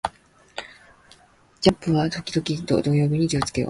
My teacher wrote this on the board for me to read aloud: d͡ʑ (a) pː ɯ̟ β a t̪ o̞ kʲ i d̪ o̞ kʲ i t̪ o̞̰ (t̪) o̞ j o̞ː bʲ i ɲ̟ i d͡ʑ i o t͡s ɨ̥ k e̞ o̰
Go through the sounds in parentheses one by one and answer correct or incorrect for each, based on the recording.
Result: correct, incorrect

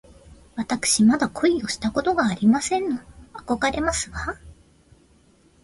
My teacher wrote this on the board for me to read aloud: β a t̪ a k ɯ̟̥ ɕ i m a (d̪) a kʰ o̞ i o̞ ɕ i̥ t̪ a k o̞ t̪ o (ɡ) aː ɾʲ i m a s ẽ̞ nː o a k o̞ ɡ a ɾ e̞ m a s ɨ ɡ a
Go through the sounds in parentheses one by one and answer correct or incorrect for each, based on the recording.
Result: correct, correct

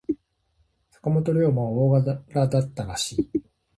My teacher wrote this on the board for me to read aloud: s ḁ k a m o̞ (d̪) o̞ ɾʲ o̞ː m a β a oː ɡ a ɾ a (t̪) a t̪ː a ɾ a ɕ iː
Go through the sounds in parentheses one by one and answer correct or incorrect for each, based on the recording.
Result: incorrect, incorrect

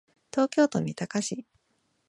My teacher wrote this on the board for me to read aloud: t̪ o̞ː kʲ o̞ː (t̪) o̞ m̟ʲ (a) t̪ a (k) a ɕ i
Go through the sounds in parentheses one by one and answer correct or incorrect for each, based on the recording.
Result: correct, incorrect, correct

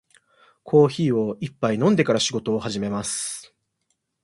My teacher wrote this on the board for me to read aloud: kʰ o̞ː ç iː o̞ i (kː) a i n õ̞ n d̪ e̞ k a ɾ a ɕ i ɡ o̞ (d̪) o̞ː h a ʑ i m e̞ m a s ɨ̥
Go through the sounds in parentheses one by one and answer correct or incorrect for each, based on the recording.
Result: incorrect, incorrect

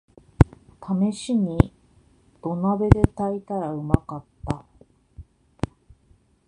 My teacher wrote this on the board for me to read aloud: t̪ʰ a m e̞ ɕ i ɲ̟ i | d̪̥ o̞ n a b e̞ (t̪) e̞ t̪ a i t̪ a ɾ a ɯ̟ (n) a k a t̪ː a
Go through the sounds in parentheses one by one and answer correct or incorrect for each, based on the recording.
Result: incorrect, incorrect

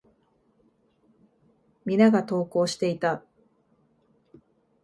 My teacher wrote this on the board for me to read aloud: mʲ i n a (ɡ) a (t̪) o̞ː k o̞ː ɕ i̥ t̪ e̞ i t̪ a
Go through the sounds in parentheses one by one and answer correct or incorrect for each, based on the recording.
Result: correct, correct

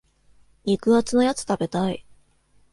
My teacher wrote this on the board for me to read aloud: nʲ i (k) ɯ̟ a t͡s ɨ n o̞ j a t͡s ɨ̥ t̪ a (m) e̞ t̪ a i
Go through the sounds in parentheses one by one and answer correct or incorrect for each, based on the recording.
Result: correct, incorrect

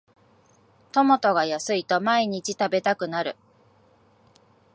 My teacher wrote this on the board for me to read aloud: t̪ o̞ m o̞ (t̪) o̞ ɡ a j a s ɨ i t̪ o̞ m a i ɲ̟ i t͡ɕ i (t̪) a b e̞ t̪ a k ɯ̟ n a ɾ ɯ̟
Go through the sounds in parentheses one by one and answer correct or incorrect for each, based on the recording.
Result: correct, correct

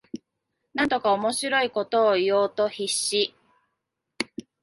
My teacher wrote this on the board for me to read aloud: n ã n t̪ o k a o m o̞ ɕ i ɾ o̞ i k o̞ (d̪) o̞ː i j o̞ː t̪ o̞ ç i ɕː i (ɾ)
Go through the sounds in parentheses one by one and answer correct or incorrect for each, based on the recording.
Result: incorrect, incorrect

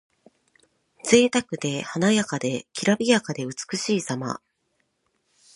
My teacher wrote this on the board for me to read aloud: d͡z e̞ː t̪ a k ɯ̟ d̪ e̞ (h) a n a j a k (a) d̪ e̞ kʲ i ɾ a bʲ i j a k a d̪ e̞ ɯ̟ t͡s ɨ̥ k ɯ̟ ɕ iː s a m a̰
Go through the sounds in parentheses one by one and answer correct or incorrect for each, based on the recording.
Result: correct, correct

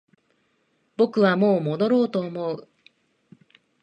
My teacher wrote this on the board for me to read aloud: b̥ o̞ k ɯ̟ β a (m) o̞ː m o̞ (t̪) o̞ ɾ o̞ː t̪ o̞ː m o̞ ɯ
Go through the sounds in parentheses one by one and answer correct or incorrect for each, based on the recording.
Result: correct, incorrect

